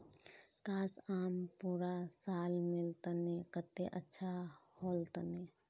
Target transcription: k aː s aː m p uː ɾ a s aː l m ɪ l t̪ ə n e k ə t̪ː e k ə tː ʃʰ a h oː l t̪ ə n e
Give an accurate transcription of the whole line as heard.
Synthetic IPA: k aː s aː m p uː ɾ a s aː l m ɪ l t̪ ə n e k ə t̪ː e ʔ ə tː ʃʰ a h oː l t̪ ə n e